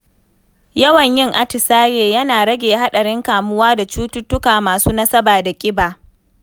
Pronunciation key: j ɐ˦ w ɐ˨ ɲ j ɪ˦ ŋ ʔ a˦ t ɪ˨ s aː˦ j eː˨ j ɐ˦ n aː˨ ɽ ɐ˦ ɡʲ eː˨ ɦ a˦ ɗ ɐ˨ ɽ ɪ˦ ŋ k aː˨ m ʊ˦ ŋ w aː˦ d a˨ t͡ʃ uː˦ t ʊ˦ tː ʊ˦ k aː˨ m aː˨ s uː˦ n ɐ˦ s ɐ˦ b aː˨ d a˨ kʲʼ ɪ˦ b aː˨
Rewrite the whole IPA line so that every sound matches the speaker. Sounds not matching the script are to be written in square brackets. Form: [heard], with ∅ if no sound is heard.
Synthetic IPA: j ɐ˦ w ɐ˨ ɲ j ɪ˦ ŋ ʔ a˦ t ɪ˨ s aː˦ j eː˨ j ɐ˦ n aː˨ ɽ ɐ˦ ɡʲ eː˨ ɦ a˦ ɗ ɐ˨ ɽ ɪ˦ ŋ k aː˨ m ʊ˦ [∅] w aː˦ d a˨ t͡ʃ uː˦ t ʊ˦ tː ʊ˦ k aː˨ m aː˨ s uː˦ n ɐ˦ s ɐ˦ b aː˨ d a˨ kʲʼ ɪ˦ b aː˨